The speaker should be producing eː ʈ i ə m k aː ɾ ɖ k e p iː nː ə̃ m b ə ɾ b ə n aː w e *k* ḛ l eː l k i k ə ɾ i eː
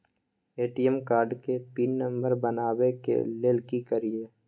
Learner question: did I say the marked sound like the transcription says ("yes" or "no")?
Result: yes